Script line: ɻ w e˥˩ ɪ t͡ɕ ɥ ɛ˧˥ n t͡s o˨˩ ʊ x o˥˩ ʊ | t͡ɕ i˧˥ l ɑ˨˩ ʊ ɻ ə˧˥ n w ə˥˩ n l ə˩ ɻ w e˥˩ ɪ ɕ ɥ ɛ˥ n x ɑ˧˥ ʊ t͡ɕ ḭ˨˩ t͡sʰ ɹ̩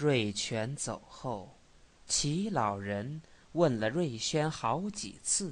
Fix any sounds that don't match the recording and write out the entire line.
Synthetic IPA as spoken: ɻ w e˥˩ ɪ t͡ɕʰ ɥ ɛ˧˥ n t͡s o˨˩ ʊ x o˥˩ ʊ | t͡ɕʰ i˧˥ l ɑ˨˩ ʊ ɻ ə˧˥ n w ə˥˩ n l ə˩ ɻ w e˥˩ ɪ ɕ ɥ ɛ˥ n x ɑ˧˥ ʊ t͡ɕ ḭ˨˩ t͡sʰ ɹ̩